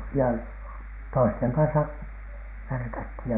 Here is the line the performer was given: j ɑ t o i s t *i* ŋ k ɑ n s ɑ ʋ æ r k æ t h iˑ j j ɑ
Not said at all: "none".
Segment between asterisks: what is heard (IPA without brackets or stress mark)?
e